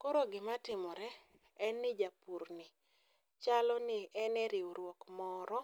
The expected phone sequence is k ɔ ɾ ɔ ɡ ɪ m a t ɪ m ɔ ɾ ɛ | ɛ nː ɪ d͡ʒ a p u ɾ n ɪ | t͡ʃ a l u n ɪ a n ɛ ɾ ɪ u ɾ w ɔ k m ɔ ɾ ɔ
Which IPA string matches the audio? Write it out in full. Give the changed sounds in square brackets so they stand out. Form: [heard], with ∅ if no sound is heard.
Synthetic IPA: k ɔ ɾ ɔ ɡ ɪ m a t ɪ m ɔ ɾ ɛ | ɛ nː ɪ d͡ʒ a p u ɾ n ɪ | t͡ʃ a l [ɔ] n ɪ [ɛ] n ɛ ɾ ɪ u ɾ w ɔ k m ɔ ɾ ɔ